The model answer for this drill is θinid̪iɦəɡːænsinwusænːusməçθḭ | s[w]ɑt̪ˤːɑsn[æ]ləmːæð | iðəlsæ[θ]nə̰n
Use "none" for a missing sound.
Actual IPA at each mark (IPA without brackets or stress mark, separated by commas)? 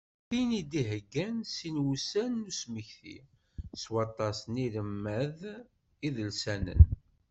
w, i, none